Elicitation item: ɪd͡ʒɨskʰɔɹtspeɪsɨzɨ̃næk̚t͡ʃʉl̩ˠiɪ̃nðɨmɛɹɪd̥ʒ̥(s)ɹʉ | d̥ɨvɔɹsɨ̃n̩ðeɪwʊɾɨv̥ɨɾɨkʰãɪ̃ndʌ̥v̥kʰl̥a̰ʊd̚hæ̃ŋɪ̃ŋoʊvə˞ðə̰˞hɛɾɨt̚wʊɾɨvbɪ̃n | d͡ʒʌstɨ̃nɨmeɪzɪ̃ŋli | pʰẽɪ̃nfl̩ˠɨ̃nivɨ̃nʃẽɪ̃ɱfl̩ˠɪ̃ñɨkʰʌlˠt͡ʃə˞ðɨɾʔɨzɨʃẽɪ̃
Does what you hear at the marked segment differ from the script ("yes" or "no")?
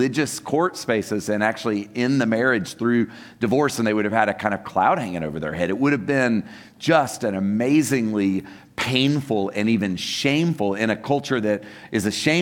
yes